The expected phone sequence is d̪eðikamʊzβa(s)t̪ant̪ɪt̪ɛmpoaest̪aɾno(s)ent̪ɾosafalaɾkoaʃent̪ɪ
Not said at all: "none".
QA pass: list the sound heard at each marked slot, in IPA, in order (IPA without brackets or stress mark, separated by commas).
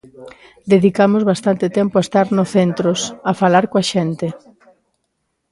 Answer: s, θ